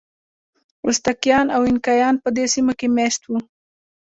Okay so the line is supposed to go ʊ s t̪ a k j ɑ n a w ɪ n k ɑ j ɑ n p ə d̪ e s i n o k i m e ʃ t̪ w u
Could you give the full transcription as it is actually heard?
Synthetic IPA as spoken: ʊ s t̪ a k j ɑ n a w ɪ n k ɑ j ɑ n p ə d̪ e s i m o k e m e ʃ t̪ w u